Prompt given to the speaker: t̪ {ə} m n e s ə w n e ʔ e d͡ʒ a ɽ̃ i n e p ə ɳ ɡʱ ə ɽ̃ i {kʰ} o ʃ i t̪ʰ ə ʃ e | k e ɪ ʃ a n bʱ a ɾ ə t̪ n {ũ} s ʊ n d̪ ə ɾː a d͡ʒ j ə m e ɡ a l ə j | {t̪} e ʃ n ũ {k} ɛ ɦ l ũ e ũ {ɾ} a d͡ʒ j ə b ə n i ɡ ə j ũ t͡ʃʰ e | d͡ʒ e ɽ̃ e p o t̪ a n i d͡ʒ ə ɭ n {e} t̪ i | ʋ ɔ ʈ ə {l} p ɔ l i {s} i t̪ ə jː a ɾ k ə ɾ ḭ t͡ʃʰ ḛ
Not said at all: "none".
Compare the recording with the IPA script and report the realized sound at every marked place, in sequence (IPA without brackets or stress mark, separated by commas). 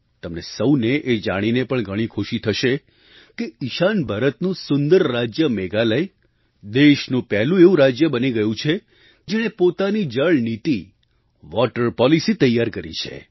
ə, kʰ, ũ, d̪, p, ɾ, i, ɾ, s